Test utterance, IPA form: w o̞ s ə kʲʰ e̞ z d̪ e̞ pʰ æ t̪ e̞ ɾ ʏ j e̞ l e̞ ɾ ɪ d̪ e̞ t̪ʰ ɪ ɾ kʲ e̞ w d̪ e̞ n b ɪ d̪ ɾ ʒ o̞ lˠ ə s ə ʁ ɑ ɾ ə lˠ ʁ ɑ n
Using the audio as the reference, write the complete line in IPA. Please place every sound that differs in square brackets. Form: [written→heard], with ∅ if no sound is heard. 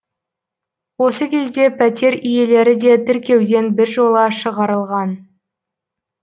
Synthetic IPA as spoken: w o̞ s ə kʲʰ e̞ z d̪ e̞ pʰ æ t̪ e̞ ɾ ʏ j e̞ l e̞ ɾ ɪ d̪ e̞ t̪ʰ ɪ ɾ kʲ e̞ w d̪ e̞ n b ɪ [d̪→∅] ɾ ʒ o̞ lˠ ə [s→ʃ] ə ʁ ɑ ɾ ə lˠ ʁ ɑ n

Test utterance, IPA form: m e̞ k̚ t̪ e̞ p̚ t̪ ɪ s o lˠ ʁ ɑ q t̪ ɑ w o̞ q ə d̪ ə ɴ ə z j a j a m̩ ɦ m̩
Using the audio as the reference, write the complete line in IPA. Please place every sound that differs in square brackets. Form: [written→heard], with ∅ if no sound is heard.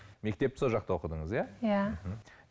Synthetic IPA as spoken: m e̞ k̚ t̪ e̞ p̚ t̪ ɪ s o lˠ [ʁ→ʒ] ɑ q t̪ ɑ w o̞ q ə d̪ ə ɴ ə z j a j a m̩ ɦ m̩

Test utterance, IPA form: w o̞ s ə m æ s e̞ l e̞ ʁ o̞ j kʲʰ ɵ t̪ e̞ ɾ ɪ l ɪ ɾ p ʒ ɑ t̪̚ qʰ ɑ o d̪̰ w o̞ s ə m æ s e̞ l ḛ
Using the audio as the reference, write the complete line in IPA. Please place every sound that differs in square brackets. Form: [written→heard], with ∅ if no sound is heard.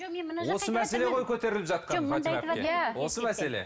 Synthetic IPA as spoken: w o̞ s ə m æ s e̞ l e̞ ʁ o̞ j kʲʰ ɵ t̪ e̞ ɾ ɪ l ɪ [ɾ→∅] p ʒ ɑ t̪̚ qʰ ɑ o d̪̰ w o̞ s ə m æ s e̞ l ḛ

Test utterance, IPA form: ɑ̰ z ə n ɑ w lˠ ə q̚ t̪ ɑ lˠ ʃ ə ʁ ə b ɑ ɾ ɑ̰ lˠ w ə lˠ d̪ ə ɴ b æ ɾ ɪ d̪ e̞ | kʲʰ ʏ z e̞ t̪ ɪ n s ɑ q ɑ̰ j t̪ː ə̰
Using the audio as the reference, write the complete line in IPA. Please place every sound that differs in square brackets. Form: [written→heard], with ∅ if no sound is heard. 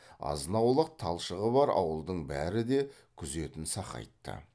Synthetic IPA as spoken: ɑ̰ z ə n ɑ w lˠ ə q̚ [t̪→t̪ʰ] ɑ lˠ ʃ ə ʁ ə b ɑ ɾ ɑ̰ [lˠ→∅] w ə lˠ d̪ ə ɴ b æ ɾ ɪ d̪ e̞ | kʲʰ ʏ z e̞ t̪ ɪ n s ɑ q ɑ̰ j t̪ː ə̰

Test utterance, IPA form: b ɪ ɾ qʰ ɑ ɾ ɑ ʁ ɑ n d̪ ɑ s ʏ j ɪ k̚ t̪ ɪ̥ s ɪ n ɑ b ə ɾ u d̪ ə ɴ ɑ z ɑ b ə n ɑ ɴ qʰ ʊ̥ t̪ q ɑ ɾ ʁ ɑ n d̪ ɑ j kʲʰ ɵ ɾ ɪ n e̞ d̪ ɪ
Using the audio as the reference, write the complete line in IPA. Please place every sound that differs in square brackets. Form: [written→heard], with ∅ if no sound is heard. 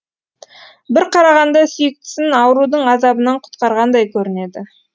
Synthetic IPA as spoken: b ɪ ɾ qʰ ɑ ɾ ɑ ʁ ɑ n d̪ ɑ s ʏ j ɪ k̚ t̪ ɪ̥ s ɪ n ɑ [b→w] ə ɾ u d̪ ə ɴ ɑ z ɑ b ə n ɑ ɴ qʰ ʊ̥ t̪ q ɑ ɾ ʁ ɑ n d̪ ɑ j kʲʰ ɵ ɾ ɪ n e̞ d̪ ɪ

